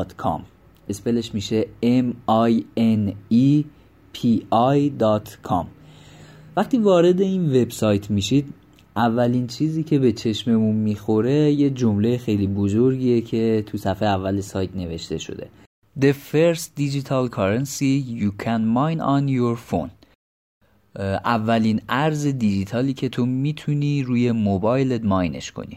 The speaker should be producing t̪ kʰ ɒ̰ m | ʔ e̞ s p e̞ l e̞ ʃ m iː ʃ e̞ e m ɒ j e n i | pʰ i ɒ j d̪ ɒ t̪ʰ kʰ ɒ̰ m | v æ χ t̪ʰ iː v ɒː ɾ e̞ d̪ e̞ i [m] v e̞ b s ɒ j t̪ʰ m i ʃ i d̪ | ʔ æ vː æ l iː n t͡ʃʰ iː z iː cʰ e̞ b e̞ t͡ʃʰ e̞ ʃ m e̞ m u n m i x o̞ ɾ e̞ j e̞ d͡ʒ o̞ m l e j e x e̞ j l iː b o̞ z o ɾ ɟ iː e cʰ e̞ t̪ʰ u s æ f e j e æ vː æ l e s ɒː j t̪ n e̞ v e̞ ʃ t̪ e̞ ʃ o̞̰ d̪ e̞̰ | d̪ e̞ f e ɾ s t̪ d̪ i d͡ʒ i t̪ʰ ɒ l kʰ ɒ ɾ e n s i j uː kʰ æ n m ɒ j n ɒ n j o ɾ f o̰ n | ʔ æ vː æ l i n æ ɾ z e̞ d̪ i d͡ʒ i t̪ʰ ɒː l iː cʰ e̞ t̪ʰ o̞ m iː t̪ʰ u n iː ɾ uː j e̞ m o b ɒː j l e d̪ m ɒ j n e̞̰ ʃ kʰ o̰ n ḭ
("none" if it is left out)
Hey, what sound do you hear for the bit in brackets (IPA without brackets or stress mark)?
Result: n